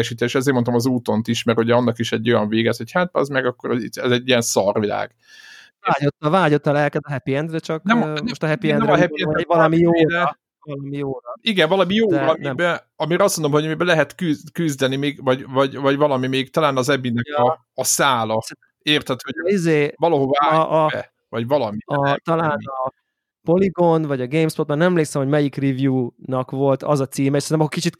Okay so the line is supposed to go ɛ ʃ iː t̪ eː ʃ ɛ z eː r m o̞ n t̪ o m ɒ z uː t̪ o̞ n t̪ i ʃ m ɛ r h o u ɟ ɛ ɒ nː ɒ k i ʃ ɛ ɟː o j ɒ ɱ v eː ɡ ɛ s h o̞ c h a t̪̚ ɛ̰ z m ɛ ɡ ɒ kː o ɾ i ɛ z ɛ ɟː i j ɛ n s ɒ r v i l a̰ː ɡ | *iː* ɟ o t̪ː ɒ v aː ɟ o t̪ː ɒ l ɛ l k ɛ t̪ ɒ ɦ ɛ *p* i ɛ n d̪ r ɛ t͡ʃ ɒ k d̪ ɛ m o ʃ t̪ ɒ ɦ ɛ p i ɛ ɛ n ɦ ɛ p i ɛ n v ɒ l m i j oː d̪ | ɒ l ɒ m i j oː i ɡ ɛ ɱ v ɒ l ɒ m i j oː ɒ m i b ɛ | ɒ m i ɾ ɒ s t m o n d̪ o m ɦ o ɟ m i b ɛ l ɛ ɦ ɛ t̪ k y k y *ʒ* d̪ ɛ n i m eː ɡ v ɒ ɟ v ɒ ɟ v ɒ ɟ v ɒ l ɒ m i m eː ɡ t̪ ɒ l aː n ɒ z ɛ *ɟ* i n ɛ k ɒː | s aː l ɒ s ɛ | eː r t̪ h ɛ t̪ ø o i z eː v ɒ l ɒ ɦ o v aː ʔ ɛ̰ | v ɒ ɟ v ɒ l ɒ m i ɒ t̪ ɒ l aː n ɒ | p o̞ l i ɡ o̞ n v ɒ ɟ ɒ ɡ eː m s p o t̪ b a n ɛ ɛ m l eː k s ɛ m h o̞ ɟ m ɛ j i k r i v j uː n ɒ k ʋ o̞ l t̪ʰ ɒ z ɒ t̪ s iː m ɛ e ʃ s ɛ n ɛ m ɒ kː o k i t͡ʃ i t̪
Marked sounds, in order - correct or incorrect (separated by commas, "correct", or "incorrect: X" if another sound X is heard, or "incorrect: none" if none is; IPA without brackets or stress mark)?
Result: incorrect: aː, correct, incorrect: z, incorrect: b